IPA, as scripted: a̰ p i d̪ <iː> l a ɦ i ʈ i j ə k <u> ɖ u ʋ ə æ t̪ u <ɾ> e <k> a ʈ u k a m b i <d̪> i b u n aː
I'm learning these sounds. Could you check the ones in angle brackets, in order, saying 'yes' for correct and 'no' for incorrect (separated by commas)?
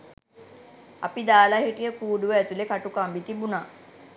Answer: no, no, no, yes, no